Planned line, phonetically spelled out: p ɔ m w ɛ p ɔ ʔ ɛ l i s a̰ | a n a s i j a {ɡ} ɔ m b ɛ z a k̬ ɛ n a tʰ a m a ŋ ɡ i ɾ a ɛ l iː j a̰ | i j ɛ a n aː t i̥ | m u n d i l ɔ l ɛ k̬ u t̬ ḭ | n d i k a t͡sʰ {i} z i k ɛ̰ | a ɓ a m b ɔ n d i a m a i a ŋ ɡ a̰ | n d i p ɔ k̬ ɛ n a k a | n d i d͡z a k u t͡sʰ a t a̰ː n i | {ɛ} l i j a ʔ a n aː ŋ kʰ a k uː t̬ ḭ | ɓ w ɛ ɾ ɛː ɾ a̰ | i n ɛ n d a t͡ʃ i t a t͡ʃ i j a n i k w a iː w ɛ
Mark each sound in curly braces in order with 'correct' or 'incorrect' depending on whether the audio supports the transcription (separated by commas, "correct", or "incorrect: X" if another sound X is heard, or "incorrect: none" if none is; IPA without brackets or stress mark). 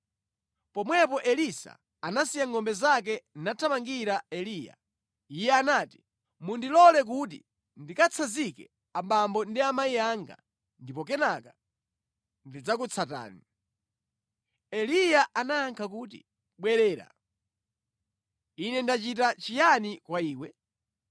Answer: incorrect: ŋ, incorrect: a, correct